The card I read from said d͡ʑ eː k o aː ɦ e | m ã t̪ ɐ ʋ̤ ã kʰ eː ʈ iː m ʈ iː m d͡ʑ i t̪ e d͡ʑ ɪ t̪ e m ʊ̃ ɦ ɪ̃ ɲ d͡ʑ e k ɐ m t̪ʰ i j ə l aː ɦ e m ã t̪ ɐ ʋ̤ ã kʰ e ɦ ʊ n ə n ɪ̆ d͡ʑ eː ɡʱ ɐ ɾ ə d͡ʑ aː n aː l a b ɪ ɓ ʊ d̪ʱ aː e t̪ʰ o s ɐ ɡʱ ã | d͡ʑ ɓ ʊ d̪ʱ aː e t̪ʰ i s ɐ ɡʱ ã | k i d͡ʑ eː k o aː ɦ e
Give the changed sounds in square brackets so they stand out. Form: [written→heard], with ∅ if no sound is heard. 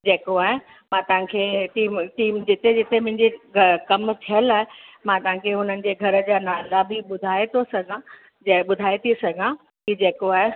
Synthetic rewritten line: d͡ʑ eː k o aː ɦ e | m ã t̪ ɐ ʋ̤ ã kʰ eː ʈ iː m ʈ iː m d͡ʑ [i→ɪ] t̪ e d͡ʑ ɪ t̪ e m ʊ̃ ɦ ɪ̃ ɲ d͡ʑ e k ɐ m t̪ʰ i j ə l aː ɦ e m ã t̪ ɐ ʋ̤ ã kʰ e ɦ ʊ n ə n ɪ̆ d͡ʑ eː ɡʱ ɐ ɾ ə d͡ʑ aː n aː l a b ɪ ɓ ʊ d̪ʱ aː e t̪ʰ o s ɐ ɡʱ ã | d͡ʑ ɓ ʊ d̪ʱ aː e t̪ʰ i s ɐ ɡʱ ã | k i d͡ʑ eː k o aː ɦ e